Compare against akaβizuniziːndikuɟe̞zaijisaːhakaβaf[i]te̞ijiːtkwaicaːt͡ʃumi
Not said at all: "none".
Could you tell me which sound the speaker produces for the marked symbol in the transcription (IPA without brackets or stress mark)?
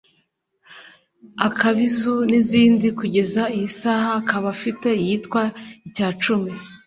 i